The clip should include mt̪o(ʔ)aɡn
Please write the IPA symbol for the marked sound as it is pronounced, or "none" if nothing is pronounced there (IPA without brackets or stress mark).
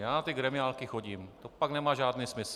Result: p